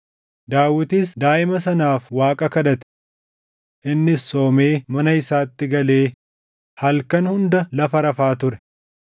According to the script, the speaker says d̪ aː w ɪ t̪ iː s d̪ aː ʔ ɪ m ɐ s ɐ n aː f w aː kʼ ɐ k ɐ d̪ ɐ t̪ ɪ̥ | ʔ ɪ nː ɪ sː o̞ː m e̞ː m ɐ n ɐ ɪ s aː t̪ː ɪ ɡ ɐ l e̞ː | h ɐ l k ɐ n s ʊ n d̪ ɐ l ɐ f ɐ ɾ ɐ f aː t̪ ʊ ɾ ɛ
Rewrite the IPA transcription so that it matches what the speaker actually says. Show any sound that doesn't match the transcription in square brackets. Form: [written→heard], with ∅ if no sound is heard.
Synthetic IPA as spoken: d̪ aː w ɪ t̪ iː s d̪ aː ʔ ɪ m ɐ s ɐ n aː f w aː kʼ ɐ k ɐ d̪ ɐ t̪ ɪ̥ | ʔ ɪ nː ɪ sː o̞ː m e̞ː m ɐ n ɐ ɪ s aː t̪ː ɪ ɡ ɐ l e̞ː | h ɐ l k ɐ n [s→h] ʊ n d̪ ɐ l ɐ f ɐ ɾ ɐ f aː t̪ ʊ ɾ ɛ

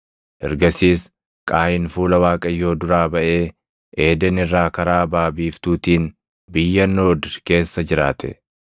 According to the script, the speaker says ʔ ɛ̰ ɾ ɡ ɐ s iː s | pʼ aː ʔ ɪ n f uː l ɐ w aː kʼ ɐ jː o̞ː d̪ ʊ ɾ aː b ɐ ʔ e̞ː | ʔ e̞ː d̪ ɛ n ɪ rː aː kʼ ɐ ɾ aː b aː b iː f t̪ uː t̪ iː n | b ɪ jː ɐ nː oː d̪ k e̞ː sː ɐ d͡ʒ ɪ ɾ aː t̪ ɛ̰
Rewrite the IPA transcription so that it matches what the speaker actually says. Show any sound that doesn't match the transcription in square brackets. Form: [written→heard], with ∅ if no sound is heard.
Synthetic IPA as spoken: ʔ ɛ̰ ɾ ɡ ɐ s iː s | [pʼ→kʼ] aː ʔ ɪ n f uː l ɐ w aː kʼ ɐ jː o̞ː d̪ ʊ ɾ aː b ɐ ʔ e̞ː | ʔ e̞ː d̪ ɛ n ɪ rː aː [kʼ→k] ɐ ɾ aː b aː b iː f t̪ uː t̪ iː n | b ɪ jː ɐ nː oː d̪ k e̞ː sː ɐ d͡ʒ ɪ ɾ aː t̪ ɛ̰

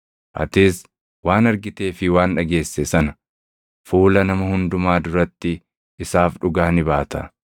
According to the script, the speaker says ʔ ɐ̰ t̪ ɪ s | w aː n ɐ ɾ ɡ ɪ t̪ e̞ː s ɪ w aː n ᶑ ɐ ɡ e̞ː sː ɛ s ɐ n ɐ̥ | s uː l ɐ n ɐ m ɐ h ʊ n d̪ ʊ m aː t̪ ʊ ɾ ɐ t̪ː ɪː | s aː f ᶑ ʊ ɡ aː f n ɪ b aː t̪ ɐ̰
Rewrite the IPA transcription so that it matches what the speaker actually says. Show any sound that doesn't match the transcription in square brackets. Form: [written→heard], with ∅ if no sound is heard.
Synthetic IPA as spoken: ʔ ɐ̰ t̪ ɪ s | w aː n ɐ ɾ ɡ ɪ t̪ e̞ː [s→f] ɪ w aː n ᶑ ɐ ɡ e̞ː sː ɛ s ɐ n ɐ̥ | [s→f] uː l ɐ n ɐ m ɐ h ʊ n d̪ ʊ m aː [t̪→d̪] ʊ ɾ ɐ t̪ː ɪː | s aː f ᶑ ʊ ɡ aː [f→∅] n ɪ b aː t̪ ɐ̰

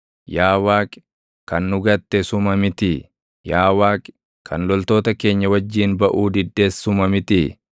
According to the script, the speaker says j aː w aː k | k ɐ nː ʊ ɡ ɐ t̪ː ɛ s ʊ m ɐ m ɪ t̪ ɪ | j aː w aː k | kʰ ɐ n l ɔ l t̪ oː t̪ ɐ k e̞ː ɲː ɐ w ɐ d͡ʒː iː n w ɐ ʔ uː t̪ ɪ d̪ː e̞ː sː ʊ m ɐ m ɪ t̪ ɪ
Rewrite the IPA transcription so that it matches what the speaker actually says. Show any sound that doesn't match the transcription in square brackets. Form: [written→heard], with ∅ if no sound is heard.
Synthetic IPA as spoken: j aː w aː k | k ɐ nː ʊ ɡ ɐ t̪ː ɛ s ʊ m ɐ m ɪ t̪ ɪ | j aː w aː k | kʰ ɐ n l ɔ l t̪ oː t̪ ɐ k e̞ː ɲː ɐ w ɐ d͡ʒː iː n [w→b] ɐ ʔ uː [t̪→d̪] ɪ d̪ː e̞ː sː ʊ m ɐ m ɪ t̪ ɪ

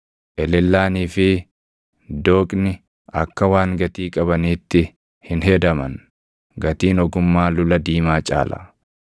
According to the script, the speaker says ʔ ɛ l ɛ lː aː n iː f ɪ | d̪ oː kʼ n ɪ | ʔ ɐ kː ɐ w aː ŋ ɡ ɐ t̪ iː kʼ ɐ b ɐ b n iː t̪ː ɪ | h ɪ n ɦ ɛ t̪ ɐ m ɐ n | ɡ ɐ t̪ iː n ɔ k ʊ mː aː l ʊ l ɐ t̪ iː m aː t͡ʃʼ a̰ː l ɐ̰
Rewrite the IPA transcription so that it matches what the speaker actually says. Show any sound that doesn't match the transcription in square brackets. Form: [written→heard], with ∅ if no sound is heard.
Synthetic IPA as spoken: ʔ ɛ l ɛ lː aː n iː f ɪ | d̪ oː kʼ n ɪ | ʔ ɐ kː ɐ w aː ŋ ɡ ɐ t̪ iː kʼ ɐ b ɐ [b→∅] n iː t̪ː ɪ | h ɪ n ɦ ɛ [t̪→d̪] ɐ m ɐ n | ɡ ɐ t̪ iː n ɔ [k→ɡ] ʊ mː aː l ʊ l ɐ [t̪→d̪] iː m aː t͡ʃʼ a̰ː l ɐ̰

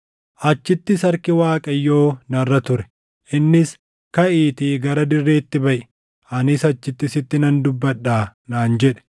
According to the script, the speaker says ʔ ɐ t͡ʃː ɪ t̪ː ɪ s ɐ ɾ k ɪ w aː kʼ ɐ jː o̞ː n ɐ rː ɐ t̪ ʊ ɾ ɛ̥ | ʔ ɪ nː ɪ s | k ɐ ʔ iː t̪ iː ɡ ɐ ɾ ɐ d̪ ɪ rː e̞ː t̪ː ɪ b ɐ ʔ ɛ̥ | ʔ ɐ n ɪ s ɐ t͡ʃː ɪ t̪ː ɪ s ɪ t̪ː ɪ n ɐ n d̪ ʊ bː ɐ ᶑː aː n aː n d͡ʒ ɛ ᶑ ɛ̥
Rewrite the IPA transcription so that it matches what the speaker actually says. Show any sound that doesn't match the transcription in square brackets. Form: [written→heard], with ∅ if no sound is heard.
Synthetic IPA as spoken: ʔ ɐ t͡ʃː ɪ t̪ː ɪ s ɐ ɾ k ɪ w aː kʼ ɐ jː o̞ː n ɐ rː ɐ t̪ ʊ ɾ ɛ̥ | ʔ ɪ nː ɪ s | k ɐ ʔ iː t̪ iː ɡ ɐ ɾ ɐ d̪ ɪ rː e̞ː t̪ː ɪ b ɐ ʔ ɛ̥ | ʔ ɐ n ɪ s ɐ t͡ʃː ɪ t̪ː ɪ s ɪ t̪ː ɪ n ɐ n d̪ ʊ bː ɐ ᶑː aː n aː n d͡ʒ ɛ ᶑ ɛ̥

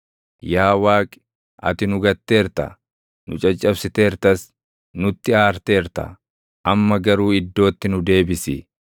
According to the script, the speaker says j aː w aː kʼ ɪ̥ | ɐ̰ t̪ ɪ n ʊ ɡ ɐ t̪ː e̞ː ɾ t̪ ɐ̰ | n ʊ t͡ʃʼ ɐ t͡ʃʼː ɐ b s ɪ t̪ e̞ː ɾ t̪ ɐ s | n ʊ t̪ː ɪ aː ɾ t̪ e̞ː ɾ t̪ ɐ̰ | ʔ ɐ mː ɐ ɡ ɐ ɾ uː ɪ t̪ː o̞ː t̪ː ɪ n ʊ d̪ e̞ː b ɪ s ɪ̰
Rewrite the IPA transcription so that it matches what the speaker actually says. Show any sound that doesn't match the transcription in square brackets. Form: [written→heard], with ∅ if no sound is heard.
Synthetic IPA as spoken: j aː w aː kʼ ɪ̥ | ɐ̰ t̪ ɪ n ʊ ɡ ɐ t̪ː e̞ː ɾ t̪ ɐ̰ | n ʊ t͡ʃʼ ɐ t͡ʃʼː ɐ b s ɪ t̪ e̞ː ɾ t̪ ɐ s | n ʊ t̪ː ɪ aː ɾ t̪ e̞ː ɾ t̪ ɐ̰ | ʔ ɐ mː ɐ ɡ ɐ ɾ uː ɪ [t̪ː→d̪ː] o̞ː t̪ː ɪ n ʊ d̪ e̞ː b ɪ s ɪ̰

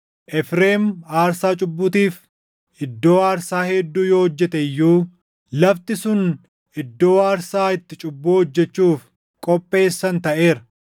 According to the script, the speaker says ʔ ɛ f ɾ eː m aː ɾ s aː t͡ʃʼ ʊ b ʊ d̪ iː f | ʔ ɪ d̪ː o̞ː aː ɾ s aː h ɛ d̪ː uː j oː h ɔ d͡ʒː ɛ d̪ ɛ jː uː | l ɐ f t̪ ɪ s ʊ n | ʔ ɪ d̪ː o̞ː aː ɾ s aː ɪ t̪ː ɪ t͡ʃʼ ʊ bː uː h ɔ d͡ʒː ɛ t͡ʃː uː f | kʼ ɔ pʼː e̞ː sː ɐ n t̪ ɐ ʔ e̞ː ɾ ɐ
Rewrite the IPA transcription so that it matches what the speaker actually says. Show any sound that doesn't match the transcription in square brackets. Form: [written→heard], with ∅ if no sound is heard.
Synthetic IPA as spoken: ʔ ɛ f ɾ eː m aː ɾ s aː t͡ʃʼ ʊ [b→bː] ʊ [d̪→t̪] iː f | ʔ ɪ d̪ː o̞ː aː ɾ s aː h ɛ d̪ː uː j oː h ɔ d͡ʒː ɛ [d̪→t̪] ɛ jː uː | l ɐ f t̪ ɪ s ʊ n | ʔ ɪ d̪ː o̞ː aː ɾ s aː ɪ t̪ː ɪ t͡ʃʼ ʊ bː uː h ɔ d͡ʒː ɛ t͡ʃː uː f | kʼ ɔ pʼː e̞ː sː ɐ n t̪ ɐ ʔ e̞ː ɾ ɐ

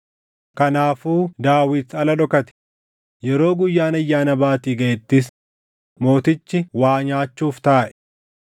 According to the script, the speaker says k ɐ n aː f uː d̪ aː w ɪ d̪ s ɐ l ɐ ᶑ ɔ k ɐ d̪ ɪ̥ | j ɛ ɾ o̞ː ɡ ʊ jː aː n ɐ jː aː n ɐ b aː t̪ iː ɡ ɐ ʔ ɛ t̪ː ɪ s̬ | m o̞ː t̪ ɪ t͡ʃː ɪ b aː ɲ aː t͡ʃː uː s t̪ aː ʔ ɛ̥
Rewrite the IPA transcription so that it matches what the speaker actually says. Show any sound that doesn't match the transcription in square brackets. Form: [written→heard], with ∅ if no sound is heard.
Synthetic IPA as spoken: k ɐ n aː f uː d̪ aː w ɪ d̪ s ɐ l ɐ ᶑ ɔ k ɐ [d̪→t̪] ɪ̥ | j ɛ ɾ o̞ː ɡ ʊ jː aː n ɐ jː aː n ɐ b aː t̪ iː ɡ ɐ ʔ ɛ t̪ː ɪ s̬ | m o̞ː t̪ ɪ t͡ʃː ɪ [b→w] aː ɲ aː t͡ʃː uː [s→f] t̪ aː ʔ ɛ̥

